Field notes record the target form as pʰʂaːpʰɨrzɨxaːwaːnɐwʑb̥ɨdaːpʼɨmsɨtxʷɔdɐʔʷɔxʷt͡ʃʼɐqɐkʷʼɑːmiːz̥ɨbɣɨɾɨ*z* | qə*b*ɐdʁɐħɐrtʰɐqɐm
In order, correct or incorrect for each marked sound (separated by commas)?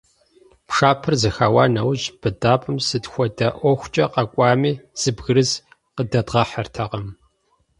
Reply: correct, incorrect